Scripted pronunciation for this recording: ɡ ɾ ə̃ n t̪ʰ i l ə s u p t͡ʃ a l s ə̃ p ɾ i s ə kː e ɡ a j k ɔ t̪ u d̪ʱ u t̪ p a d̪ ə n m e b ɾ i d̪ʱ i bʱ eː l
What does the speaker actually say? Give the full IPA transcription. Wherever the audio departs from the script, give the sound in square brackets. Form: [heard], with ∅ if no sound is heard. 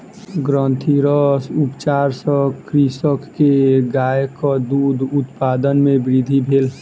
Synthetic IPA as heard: ɡ ɾ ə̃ n t̪ʰ i [ɾ] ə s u p t͡ʃ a [ɾ] s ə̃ [k] ɾ i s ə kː e ɡ a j k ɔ [d̪] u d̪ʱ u t̪ p a d̪ ə n m e b ɾ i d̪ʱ i bʱ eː l